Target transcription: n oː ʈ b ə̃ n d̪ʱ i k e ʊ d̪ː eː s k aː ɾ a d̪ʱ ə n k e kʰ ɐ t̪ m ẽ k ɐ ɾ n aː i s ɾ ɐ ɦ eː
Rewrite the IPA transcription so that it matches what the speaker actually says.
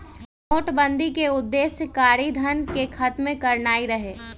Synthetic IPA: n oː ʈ b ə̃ n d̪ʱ i k e ʊ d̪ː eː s k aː ɾ i d̪ʱ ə n k e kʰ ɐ t̪ m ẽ k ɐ ɾ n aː i ɾ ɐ ɦ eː